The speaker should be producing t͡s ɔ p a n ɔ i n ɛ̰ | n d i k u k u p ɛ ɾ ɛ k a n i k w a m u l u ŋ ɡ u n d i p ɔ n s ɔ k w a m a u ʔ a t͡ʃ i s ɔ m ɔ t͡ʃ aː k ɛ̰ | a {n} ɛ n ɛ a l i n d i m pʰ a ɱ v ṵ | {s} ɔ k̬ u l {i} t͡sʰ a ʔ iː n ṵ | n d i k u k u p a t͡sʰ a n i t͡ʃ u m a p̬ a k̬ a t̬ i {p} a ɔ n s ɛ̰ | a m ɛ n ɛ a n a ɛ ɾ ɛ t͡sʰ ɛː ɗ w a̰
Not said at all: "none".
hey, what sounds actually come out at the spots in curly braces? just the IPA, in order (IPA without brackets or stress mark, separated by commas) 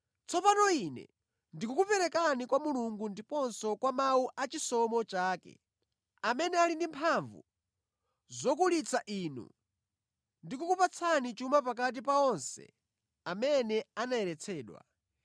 m, z, i, p